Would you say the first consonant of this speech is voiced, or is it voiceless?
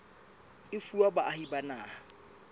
voiceless